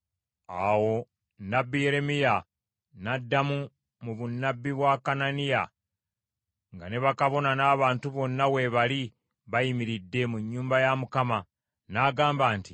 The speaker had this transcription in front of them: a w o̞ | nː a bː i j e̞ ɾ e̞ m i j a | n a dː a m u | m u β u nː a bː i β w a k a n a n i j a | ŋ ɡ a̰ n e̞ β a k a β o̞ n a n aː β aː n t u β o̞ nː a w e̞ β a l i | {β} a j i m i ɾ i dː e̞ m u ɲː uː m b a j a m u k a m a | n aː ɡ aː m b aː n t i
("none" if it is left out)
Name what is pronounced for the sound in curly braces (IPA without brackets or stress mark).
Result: β